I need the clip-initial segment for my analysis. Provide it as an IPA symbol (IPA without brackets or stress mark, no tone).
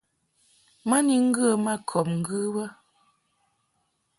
m